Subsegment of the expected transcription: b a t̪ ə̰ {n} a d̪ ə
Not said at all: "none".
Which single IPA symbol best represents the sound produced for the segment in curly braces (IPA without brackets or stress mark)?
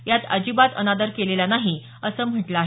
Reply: n